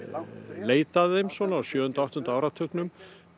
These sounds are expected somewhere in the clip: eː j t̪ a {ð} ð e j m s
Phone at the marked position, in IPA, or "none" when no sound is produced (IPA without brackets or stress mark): ð